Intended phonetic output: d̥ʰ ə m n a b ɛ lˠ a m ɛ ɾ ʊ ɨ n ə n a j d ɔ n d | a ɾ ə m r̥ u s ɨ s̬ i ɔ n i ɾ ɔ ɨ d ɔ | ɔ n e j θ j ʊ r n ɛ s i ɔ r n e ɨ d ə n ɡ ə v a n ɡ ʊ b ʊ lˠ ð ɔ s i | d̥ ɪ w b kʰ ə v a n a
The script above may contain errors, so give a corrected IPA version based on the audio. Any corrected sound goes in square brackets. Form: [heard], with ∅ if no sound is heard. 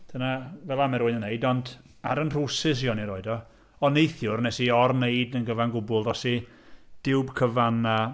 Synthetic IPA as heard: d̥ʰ ə [∅] n a [v] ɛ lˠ a m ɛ ɾ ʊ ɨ n ə n [e] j d ɔ n d | a ɾ ə [n] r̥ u s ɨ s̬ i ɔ n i ɾ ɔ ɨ d ɔ | ɔ n e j θ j ʊ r n ɛ s i ɔ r n e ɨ d ə n ɡ ə v a n ɡ ʊ b ʊ lˠ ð ɔ s i | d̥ ɪ w b kʰ ə v a n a